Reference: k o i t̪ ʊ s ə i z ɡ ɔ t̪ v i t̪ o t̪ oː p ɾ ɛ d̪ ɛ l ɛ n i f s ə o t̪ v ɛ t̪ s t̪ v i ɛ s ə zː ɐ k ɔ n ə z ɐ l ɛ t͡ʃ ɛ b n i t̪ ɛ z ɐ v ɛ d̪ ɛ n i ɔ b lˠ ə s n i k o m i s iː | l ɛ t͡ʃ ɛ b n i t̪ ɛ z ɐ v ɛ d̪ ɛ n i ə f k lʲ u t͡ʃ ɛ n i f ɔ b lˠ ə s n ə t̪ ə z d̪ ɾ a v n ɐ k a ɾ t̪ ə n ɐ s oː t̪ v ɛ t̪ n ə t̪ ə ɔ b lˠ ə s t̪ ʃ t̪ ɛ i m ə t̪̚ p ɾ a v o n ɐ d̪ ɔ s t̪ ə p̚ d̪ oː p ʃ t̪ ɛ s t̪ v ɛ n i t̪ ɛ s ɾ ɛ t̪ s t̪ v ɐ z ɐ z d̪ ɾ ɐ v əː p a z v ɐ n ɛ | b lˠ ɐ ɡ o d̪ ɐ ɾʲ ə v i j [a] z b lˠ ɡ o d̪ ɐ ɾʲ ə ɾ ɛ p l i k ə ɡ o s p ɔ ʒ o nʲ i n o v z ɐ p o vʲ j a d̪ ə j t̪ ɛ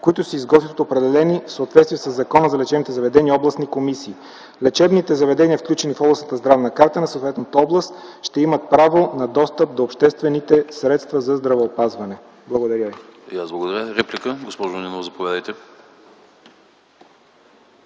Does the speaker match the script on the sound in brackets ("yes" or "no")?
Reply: yes